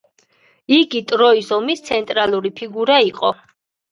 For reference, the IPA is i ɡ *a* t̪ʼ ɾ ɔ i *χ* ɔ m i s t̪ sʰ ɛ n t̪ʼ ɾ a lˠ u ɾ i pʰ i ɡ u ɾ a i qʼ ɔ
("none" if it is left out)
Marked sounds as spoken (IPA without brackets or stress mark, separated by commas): i, s